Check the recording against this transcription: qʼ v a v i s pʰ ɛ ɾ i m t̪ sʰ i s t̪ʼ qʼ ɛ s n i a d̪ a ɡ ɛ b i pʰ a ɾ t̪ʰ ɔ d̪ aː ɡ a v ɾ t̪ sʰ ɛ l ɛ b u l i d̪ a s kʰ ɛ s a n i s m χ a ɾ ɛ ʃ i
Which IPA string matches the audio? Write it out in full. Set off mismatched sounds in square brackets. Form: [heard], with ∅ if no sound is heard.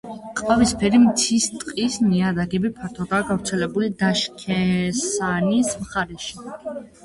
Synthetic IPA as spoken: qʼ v a v i s pʰ ɛ ɾ i m t̪ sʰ i s t̪ʼ qʼ [i] s n i a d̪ a ɡ ɛ b i pʰ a ɾ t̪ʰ ɔ d̪ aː ɡ a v ɾ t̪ sʰ ɛ l ɛ b u l i d̪ a [ʃ] kʰ ɛ s a n i s m χ a ɾ ɛ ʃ i